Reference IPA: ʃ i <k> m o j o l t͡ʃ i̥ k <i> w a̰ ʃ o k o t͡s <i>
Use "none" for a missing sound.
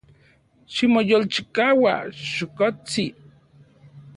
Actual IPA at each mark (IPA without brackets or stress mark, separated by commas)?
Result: none, a, i